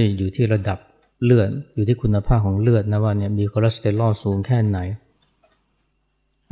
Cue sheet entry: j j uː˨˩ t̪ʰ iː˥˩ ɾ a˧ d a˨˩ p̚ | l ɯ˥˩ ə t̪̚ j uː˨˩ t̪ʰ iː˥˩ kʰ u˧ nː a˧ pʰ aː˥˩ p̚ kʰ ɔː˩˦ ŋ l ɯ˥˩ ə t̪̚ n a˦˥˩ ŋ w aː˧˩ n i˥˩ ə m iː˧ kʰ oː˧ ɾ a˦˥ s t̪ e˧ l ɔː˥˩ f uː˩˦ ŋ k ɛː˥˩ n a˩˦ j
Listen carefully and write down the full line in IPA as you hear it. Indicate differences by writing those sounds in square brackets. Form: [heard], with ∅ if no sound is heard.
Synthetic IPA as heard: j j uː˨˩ t̪ʰ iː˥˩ ɾ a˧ d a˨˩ p̚ | l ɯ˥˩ ə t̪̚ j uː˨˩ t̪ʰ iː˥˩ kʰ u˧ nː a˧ pʰ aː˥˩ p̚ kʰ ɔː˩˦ ŋ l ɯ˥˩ ə t̪̚ n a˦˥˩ [∅] w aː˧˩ n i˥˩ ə m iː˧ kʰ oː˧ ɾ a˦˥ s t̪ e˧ l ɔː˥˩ [s] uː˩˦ ŋ [kʰ] ɛː˥˩ n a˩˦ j